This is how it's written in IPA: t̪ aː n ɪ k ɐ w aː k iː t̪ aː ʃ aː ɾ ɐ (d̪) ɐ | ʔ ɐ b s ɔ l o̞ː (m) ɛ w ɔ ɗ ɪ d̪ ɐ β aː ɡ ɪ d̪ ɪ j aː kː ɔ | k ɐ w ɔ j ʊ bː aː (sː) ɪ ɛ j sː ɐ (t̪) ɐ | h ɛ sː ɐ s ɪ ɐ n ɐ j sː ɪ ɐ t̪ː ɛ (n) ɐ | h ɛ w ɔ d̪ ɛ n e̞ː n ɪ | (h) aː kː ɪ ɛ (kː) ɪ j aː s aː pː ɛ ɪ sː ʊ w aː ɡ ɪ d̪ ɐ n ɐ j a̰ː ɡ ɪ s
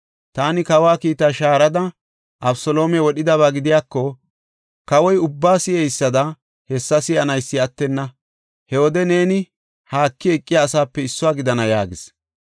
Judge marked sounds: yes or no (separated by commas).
yes, yes, no, no, no, yes, no